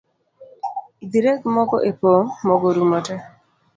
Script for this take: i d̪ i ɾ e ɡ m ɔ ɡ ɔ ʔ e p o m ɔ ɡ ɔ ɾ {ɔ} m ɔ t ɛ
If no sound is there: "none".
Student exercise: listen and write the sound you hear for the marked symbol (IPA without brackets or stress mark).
u